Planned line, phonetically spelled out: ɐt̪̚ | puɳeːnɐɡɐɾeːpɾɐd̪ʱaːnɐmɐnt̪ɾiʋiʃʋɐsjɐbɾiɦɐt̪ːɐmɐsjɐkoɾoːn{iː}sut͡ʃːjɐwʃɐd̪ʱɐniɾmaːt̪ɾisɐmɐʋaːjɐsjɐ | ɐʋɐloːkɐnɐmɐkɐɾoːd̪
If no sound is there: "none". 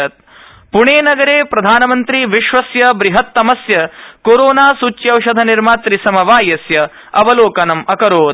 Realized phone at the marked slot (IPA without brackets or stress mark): aː